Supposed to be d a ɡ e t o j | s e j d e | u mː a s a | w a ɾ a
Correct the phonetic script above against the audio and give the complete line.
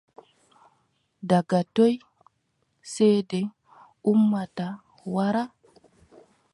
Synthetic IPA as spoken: d a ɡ a t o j | s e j d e | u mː a t a | w a ɾ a